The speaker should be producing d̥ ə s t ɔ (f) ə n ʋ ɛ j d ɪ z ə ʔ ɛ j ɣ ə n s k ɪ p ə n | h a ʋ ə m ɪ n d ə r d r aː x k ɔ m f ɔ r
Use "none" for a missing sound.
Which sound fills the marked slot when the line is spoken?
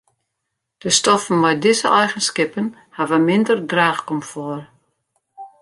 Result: f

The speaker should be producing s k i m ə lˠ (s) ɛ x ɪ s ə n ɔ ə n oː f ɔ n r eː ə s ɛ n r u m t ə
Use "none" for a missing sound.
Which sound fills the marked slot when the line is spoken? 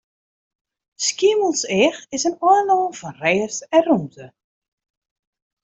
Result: s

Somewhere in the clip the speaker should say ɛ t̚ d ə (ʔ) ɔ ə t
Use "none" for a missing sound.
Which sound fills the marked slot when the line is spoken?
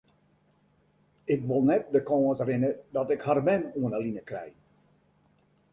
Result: k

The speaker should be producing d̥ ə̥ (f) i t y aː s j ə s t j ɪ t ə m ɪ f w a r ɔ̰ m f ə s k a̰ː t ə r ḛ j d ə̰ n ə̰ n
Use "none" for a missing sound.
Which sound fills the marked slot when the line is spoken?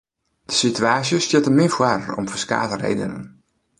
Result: s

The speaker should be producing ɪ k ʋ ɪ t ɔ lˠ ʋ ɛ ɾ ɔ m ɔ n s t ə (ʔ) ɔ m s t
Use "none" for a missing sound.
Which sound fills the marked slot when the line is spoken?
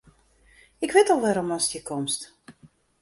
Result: k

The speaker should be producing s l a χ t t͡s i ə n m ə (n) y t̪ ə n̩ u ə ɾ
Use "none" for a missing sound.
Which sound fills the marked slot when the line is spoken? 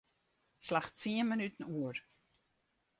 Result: n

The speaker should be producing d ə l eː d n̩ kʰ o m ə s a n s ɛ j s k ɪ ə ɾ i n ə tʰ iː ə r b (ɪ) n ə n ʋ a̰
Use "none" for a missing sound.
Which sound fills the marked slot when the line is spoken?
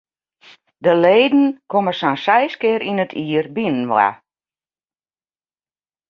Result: i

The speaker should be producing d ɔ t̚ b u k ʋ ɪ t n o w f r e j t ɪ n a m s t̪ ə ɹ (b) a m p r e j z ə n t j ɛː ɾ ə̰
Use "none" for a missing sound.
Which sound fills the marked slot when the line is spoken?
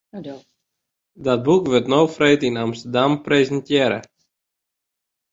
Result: d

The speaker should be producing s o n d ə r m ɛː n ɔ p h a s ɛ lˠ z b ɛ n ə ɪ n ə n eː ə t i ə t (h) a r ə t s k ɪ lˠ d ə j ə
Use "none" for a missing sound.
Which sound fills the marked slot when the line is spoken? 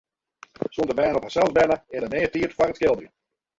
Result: f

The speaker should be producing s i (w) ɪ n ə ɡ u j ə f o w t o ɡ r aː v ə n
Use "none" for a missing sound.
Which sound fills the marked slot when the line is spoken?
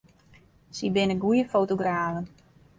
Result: b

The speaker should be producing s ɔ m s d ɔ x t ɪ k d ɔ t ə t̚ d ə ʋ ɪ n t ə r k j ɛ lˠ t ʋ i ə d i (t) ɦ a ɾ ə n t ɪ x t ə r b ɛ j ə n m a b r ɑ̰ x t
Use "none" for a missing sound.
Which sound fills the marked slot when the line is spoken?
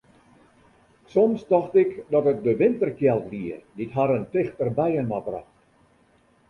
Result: t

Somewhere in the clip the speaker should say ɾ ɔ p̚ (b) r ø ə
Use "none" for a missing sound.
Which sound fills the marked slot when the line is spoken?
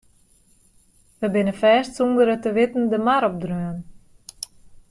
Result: d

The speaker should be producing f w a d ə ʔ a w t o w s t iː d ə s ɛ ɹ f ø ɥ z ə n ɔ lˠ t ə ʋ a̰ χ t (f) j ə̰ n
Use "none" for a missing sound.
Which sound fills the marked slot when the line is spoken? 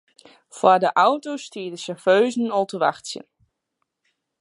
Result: s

